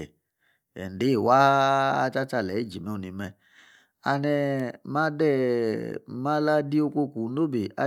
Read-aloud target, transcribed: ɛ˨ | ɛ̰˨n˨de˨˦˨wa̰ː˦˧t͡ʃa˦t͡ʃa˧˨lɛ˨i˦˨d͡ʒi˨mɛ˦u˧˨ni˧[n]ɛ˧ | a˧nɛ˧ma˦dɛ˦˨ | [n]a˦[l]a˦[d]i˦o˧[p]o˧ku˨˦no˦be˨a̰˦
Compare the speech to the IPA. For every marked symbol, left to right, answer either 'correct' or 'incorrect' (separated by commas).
incorrect, incorrect, correct, correct, incorrect